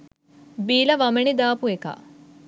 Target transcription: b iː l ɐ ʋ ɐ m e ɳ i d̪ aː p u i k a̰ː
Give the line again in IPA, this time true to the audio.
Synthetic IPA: b iː l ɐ ʋ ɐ m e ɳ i d̪ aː p u e k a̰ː